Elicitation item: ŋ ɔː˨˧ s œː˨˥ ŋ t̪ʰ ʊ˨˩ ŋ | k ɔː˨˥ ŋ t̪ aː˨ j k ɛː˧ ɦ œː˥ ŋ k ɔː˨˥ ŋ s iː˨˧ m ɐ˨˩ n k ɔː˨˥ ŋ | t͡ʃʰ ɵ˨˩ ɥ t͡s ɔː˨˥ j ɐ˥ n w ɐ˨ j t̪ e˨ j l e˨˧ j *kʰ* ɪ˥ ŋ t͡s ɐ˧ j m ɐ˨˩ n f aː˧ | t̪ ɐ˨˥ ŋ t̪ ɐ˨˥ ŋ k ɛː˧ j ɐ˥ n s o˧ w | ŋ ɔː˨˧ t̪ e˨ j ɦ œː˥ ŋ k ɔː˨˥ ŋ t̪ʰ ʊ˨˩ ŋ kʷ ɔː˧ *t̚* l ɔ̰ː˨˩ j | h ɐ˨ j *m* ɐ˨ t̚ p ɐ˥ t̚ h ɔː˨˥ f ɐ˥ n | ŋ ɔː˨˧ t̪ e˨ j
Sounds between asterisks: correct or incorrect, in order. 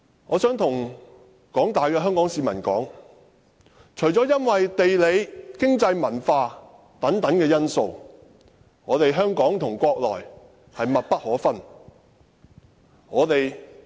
incorrect, incorrect, correct

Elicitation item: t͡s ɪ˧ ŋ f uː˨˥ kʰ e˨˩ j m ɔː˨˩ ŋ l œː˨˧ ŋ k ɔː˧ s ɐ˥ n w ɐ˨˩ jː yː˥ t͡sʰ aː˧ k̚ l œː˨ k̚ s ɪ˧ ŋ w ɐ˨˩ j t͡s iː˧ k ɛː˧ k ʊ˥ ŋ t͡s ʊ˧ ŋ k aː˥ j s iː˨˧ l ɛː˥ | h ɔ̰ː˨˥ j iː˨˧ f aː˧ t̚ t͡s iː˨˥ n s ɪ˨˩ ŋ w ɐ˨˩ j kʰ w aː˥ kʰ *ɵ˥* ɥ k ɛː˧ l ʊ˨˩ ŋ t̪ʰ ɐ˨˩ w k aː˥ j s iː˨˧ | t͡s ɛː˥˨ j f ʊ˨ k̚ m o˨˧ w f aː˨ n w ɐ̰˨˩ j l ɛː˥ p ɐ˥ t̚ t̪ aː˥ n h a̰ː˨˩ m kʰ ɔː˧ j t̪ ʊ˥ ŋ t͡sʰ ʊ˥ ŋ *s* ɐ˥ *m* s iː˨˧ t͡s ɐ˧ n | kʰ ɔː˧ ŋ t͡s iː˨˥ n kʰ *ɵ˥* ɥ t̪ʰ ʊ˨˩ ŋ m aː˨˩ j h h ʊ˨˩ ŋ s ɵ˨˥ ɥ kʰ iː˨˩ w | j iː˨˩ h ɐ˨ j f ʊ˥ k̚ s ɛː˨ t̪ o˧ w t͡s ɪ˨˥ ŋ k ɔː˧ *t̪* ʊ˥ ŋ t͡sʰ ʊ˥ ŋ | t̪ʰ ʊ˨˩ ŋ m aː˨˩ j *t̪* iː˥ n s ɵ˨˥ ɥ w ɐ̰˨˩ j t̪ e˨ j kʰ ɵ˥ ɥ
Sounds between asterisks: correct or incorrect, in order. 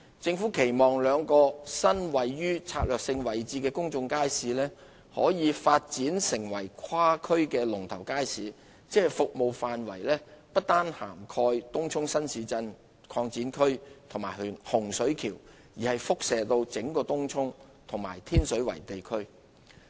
correct, correct, incorrect, correct, correct, incorrect

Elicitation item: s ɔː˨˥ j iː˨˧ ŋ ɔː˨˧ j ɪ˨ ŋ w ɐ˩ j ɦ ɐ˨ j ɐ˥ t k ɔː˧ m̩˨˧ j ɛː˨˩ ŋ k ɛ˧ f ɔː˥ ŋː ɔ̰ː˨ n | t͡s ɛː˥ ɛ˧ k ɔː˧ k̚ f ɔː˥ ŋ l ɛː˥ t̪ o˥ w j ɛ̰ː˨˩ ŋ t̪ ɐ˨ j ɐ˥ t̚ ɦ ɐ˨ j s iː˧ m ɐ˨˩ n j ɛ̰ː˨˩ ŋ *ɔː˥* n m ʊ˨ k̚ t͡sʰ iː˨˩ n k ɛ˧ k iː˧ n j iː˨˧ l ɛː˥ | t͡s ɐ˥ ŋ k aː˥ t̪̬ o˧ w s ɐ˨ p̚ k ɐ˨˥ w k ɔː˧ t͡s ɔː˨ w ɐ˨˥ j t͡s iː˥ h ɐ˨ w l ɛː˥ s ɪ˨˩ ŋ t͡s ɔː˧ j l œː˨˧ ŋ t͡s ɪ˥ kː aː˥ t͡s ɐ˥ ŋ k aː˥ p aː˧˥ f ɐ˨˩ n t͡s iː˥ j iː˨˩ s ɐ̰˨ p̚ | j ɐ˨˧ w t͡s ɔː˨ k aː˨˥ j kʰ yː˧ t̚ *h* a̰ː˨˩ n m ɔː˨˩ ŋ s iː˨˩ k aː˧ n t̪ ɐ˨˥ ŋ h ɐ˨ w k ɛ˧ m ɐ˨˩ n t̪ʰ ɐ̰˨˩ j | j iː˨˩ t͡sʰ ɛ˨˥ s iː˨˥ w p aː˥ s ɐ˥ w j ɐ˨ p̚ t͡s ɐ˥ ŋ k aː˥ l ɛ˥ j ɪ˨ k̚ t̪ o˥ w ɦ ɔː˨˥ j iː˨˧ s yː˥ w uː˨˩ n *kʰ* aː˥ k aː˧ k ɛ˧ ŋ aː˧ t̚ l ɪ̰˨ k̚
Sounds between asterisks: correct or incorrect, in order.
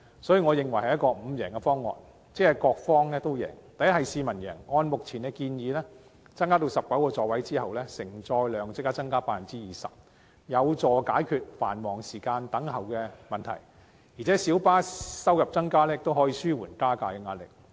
incorrect, incorrect, incorrect

